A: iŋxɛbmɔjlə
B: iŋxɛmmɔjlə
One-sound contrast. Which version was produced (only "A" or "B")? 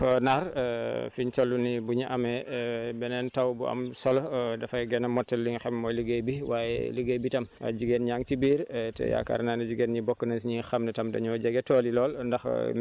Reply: B